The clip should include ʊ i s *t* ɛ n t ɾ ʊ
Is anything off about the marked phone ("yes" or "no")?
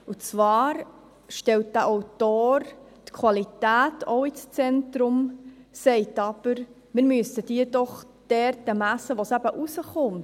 yes